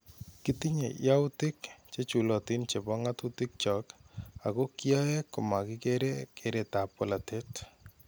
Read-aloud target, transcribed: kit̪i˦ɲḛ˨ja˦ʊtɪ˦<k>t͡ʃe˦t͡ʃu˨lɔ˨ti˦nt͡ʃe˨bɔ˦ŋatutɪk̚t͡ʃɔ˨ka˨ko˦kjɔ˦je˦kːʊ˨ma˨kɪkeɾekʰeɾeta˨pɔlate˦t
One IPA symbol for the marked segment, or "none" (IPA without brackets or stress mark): k